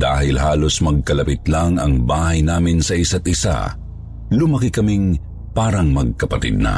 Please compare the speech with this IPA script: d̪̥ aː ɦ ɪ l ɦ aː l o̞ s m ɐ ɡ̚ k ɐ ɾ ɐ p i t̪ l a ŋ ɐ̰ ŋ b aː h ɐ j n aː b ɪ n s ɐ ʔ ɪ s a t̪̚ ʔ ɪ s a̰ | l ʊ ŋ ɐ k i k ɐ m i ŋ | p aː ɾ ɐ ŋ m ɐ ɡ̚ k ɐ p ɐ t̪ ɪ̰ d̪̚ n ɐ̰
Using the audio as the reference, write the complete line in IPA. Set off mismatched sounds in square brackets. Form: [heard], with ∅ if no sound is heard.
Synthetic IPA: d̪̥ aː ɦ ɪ l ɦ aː l o̞ s m ɐ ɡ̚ k ɐ [l] ɐ p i t̪ l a ŋ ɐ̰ ŋ b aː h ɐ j n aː [m] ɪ n s ɐ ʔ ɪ s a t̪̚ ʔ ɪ s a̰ | l ʊ [m] ɐ k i k ɐ m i ŋ | p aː ɾ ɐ ŋ m ɐ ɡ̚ k ɐ p ɐ t̪ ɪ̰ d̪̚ n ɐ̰